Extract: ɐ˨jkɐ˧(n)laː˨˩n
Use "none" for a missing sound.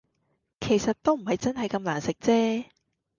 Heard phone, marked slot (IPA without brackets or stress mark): m